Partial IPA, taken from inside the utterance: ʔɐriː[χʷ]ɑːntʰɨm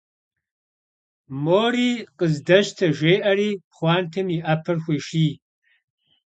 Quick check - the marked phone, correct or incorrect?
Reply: correct